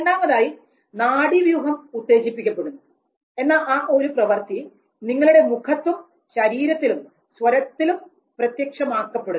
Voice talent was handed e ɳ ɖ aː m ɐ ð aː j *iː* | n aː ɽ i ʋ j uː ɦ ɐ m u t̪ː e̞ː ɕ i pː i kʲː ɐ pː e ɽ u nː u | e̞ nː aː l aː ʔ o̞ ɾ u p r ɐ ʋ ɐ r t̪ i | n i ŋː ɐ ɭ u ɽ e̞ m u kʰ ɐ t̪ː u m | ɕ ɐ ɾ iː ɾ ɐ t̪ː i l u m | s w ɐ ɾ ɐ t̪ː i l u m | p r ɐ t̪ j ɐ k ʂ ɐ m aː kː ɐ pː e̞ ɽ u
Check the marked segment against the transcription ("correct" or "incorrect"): incorrect